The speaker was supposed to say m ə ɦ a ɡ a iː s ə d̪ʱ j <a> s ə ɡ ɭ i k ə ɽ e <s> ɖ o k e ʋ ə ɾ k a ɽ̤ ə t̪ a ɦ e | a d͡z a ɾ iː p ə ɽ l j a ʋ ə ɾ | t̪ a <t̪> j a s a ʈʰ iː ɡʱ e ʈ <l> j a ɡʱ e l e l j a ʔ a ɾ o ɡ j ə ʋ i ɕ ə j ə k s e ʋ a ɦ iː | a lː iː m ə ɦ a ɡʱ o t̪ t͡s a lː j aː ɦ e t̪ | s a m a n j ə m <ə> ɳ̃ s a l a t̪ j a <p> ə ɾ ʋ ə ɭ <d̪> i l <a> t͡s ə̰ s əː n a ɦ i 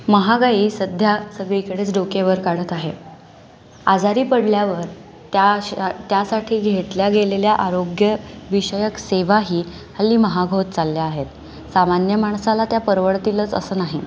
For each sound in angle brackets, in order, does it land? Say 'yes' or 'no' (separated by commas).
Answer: yes, no, yes, yes, no, yes, no, no